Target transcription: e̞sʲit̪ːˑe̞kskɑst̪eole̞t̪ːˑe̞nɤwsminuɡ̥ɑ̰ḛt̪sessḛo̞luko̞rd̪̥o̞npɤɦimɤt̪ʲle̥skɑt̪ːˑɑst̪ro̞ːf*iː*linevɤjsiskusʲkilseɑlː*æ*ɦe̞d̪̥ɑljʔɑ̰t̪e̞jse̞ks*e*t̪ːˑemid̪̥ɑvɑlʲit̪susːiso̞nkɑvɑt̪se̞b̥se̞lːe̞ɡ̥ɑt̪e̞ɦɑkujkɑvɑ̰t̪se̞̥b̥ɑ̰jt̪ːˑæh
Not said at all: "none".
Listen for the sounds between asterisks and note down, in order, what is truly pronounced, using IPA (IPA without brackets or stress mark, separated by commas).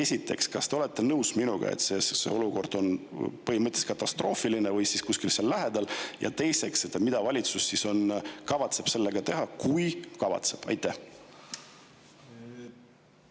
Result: i, æ, e